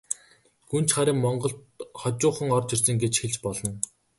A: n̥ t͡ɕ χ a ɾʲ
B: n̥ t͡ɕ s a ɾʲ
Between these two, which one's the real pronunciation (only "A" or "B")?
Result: A